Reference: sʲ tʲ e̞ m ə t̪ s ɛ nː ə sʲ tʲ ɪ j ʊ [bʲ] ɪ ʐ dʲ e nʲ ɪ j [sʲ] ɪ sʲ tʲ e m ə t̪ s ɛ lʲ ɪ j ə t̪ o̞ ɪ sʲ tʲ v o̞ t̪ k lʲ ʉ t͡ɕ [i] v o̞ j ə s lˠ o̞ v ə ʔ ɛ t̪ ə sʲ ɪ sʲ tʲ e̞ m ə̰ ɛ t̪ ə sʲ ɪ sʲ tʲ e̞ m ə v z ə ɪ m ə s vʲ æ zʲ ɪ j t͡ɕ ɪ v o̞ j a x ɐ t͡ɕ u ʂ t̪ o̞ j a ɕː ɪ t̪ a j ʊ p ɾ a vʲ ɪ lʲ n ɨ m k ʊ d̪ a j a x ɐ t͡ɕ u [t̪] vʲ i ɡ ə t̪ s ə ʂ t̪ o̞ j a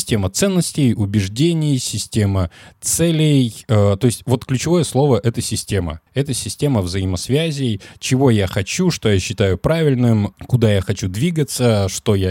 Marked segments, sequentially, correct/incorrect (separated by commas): correct, correct, incorrect, incorrect